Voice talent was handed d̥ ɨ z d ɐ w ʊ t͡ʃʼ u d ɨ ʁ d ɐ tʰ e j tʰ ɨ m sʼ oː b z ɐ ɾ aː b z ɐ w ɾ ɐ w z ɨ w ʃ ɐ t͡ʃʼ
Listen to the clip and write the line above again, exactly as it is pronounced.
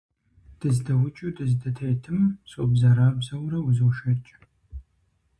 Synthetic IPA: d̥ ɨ z d ɐ w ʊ t͡ʃʼ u d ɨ z d ɐ tʰ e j tʰ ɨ m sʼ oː b z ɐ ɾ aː b z ɐ w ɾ ɐ w z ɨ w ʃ ɐ t͡ʃʼ